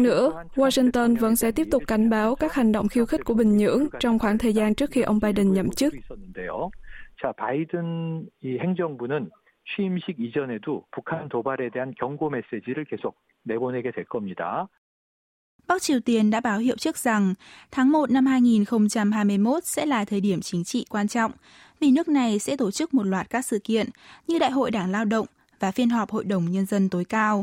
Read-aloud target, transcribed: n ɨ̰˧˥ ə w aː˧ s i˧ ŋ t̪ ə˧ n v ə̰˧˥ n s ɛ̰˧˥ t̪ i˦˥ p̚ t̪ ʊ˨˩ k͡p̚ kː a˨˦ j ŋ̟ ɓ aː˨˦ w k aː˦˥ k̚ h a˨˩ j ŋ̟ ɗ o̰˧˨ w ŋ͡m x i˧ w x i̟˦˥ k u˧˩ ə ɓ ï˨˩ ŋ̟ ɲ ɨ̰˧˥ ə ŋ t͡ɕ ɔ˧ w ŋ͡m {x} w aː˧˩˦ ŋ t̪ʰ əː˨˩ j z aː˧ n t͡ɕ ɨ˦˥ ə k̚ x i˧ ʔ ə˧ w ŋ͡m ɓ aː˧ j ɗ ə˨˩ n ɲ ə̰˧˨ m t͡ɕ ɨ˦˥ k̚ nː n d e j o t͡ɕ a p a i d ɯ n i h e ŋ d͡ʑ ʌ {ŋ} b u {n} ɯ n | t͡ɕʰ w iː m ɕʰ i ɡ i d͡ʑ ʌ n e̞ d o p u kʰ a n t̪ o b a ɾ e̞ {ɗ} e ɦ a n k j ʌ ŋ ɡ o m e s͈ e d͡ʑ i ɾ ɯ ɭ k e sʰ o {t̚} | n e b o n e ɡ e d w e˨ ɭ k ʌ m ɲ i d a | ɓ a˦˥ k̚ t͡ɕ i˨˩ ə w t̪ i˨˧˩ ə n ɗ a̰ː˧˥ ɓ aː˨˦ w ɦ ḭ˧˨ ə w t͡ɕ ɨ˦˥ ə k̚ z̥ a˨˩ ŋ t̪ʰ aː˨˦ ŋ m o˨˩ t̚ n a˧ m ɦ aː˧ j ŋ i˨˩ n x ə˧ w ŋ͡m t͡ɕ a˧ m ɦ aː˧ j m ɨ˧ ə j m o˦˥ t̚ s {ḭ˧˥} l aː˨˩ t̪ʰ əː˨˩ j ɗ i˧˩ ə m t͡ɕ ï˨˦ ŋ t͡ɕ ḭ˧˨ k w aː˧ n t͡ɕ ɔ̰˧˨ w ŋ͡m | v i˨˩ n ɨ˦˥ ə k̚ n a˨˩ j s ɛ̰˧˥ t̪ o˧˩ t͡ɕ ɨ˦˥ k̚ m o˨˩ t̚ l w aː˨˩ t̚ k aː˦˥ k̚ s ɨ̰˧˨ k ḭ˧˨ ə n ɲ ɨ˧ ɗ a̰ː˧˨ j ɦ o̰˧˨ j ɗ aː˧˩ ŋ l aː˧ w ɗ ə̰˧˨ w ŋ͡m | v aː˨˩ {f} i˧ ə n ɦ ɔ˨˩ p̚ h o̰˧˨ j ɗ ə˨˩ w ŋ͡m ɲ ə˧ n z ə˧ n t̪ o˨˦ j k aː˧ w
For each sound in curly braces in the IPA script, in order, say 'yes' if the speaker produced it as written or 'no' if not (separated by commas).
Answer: yes, yes, yes, no, no, no, yes